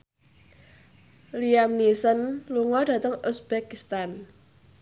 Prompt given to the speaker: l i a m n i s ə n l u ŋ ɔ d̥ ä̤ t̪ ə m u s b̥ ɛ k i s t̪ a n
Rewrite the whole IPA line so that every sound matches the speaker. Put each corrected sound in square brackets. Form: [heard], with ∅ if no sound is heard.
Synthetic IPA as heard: l i a m n i s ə n l u ŋ ɔ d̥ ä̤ t̪ ə [ŋ] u s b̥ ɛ k i s t̪ a n

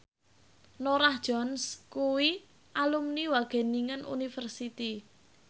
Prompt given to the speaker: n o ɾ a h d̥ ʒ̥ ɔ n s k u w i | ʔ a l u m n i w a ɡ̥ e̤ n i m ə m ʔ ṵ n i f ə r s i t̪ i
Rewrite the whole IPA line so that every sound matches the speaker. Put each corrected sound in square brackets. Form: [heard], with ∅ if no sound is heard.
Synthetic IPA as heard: n o ɾ a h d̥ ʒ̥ ɔ n s k u w i | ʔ a l u m n i w a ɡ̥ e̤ n i [ŋ] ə [n] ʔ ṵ n i f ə r s i t̪ i

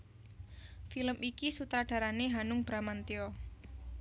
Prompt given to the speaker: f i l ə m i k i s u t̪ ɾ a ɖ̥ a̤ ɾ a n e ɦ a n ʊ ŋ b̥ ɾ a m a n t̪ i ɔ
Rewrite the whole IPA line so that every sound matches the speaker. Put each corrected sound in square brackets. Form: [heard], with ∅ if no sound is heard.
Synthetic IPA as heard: f i l ə m i k i s u t̪ ɾ a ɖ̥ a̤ ɾ a n e ɦ a n ʊ ŋ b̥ ɾ a m a n t̪ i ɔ

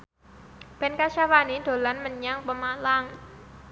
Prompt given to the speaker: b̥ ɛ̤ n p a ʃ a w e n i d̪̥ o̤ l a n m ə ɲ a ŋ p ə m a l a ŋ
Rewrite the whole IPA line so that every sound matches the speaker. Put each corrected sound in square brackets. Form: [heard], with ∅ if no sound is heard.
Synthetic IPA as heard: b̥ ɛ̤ n [k] a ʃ a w [a] n i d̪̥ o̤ l a n m ə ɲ a ŋ p ə m a l a ŋ

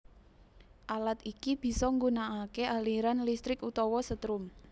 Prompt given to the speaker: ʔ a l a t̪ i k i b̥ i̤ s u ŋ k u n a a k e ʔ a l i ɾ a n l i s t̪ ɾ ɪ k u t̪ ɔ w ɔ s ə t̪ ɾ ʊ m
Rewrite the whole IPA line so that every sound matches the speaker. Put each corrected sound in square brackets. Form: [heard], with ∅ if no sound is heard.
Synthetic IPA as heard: ʔ a l a t̪ i k i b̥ i̤ s [ɔ] ŋ [ɡ] u n a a k e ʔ a l i ɾ a n l i s t̪ ɾ ɪ k u t̪ ɔ w ɔ s ə t̪ ɾ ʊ m

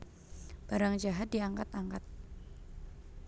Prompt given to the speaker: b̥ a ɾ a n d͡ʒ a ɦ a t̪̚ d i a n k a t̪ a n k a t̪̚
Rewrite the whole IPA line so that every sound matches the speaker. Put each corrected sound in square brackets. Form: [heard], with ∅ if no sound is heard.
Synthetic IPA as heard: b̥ a ɾ a [ŋ] d͡ʒ a ɦ a t̪̚ d i a [ŋ] k a t̪ a [ŋ] k a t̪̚

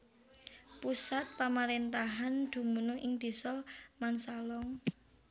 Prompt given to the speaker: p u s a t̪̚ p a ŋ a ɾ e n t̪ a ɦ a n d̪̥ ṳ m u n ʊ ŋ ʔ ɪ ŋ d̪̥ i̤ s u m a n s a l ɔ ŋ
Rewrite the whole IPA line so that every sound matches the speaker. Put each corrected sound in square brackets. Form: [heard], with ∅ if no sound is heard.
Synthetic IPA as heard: p u s a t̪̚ p a [m] a ɾ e n t̪ a ɦ a n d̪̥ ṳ m u n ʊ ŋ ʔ ɪ ŋ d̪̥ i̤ s [ɔ] m a n s a l ɔ ŋ

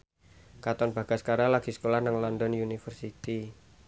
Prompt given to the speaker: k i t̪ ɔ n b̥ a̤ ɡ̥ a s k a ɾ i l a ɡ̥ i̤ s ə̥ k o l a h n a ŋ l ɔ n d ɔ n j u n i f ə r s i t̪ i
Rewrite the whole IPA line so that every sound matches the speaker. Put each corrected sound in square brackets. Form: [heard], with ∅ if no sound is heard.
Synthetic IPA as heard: k [a] t̪ ɔ n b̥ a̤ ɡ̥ a s k a ɾ [a] l a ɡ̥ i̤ s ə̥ k o l a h n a ŋ l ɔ n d ɔ n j u n i f ə r s i t̪ i

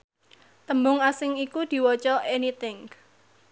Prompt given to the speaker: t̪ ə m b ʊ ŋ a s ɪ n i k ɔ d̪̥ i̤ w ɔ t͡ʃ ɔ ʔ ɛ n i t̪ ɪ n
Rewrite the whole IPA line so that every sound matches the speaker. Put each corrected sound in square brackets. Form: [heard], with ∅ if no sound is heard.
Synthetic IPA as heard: t̪ ə m b ʊ ŋ a s ɪ [ŋ] i k [u] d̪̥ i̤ w ɔ t͡ʃ ɔ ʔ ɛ n i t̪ ɪ [ŋ]

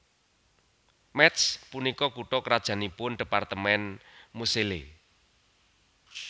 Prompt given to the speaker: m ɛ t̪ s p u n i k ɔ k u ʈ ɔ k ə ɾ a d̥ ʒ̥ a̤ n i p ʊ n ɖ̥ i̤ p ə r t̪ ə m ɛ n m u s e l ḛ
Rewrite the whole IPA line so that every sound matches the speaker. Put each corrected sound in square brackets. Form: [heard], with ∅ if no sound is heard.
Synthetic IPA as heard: m ɛ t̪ s p u n i k ɔ k u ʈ ɔ k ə ɾ a d̥ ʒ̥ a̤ n i p ʊ n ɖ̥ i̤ p [a] r t̪ ə m ɛ n m u s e l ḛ

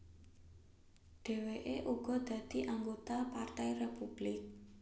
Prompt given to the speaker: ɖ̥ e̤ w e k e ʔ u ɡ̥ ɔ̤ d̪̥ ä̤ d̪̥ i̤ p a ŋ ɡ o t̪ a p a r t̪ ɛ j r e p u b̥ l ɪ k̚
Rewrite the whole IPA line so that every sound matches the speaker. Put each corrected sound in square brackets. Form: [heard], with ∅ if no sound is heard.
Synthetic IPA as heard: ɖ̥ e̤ w e [ʔ] e ʔ u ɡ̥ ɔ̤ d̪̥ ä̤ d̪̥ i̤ [ʔ] a ŋ ɡ o t̪ a p a r t̪ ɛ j r e p u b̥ l ɪ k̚

